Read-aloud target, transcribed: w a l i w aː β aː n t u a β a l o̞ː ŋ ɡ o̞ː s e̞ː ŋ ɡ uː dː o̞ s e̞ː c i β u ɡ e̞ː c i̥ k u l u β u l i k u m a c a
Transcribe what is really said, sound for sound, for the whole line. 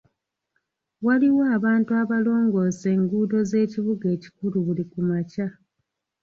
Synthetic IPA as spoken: w a l i w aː β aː n t u a β a l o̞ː ŋ ɡ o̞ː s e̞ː ŋ ɡ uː d o̞ z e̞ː c i β u ɡ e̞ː c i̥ k u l u β u l i k u m a c a